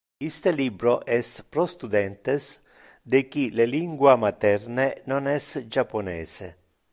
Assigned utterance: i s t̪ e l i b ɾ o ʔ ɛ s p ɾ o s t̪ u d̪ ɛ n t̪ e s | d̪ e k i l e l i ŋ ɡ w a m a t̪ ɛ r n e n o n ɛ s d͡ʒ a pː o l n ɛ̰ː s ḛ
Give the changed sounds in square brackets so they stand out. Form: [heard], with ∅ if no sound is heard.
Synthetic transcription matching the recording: i s t̪ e l i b ɾ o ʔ ɛ s p ɾ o s t̪ u d̪ ɛ n t̪ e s | d̪ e k i l e l i ŋ ɡ w a m a t̪ ɛ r n e n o n ɛ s d͡ʒ a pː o [∅] n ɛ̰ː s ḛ